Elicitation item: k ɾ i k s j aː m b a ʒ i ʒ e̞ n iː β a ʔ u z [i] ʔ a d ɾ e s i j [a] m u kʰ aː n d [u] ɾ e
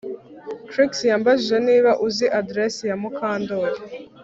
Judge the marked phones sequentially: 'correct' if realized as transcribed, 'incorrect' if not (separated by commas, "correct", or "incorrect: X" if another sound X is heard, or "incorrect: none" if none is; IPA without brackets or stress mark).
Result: correct, correct, incorrect: o